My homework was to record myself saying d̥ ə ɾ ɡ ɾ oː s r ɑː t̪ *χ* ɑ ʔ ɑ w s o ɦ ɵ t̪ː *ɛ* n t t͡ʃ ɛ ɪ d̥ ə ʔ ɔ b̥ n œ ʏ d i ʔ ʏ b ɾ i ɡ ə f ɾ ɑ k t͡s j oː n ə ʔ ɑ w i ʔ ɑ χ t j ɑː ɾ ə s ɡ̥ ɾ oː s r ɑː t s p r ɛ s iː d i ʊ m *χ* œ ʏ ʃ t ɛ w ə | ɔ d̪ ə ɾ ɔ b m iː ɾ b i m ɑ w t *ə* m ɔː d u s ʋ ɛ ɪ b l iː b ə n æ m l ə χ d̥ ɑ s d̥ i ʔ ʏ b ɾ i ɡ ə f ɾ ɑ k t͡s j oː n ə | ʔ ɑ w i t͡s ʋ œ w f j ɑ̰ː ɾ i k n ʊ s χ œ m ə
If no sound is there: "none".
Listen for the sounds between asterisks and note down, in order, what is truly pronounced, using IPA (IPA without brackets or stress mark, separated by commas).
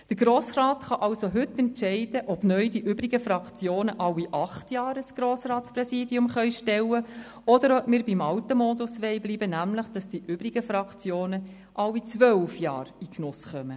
χ, ɛ, χ, ə